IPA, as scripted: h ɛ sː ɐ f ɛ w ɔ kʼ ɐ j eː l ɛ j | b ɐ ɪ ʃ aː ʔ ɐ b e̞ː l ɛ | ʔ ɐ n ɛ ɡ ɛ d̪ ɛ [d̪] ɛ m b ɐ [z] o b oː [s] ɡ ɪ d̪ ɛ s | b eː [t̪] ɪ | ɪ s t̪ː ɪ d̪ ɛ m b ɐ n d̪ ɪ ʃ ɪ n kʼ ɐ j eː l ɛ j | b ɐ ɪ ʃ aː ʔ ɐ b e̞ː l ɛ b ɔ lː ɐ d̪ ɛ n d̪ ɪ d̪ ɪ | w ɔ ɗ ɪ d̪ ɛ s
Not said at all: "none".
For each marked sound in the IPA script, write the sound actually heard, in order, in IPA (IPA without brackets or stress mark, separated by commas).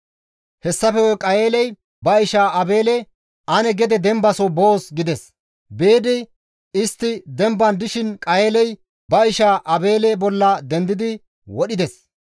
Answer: d̪, s, s, d̪